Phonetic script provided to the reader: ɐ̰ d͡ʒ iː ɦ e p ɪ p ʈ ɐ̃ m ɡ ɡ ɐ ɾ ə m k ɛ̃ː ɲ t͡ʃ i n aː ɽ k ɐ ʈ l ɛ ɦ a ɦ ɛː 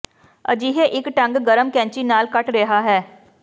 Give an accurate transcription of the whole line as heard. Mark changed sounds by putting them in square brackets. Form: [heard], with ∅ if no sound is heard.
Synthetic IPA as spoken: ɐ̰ d͡ʒ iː ɦ e [ʔ] ɪ [k] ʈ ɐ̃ [ŋ] ɡ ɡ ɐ ɾ ə m k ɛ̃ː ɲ t͡ʃ i n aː [l] k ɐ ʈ [ɾ] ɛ ɦ a ɦ ɛː